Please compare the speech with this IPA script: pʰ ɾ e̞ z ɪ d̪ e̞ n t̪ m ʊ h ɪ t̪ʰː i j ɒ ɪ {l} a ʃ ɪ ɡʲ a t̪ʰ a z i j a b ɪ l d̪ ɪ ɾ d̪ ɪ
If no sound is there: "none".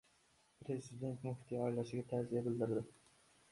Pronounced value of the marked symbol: l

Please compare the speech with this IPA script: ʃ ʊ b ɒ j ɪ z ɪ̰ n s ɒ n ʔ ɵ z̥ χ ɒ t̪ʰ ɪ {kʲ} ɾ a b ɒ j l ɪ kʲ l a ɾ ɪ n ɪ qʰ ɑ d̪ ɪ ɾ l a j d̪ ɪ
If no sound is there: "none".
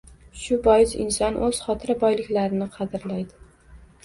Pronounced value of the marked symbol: none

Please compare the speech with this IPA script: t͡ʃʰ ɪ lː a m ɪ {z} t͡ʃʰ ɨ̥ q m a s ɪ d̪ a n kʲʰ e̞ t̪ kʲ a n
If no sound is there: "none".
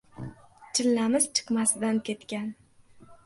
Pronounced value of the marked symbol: z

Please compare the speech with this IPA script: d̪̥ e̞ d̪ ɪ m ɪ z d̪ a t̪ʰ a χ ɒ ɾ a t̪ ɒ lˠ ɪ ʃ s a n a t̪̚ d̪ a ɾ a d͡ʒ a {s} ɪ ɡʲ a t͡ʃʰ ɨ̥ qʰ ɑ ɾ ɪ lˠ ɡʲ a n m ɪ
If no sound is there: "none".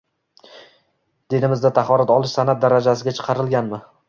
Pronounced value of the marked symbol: s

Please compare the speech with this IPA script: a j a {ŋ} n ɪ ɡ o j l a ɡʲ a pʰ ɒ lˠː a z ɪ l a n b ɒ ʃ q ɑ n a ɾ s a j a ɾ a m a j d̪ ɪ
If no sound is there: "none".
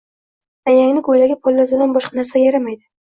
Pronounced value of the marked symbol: ŋ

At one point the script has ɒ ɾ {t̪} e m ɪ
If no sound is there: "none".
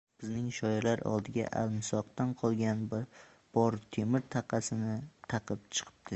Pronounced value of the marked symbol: t̪ʰ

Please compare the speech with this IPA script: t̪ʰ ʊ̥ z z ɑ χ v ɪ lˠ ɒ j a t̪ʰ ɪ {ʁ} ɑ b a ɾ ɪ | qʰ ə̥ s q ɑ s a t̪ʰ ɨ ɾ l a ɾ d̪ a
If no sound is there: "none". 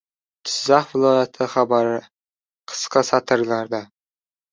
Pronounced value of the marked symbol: χ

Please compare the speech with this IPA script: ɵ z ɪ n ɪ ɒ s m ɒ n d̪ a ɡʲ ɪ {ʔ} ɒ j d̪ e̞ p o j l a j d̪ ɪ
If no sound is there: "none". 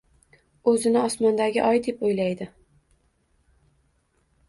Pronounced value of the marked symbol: ʔ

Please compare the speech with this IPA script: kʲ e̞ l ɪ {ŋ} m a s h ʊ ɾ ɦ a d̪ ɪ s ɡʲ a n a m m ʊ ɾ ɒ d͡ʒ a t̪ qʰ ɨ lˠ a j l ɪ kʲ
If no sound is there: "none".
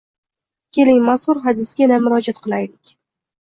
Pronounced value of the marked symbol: ŋ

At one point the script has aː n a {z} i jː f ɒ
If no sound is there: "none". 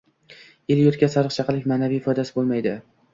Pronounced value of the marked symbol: v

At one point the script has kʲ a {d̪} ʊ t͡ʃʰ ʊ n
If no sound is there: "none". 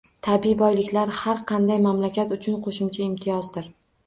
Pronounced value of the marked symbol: t̪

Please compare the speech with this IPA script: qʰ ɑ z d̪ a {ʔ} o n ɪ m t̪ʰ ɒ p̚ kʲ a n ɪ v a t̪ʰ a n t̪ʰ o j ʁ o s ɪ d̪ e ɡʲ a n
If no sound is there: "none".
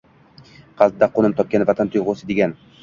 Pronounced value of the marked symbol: q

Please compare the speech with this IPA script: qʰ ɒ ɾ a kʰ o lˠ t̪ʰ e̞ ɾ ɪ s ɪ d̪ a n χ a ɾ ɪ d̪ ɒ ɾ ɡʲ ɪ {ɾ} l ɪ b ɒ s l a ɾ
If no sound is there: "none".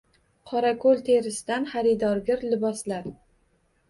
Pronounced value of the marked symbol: ɾ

